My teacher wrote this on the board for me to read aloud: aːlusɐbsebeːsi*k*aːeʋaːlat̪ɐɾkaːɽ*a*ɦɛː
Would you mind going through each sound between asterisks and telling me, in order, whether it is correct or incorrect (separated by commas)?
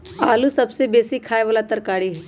incorrect, incorrect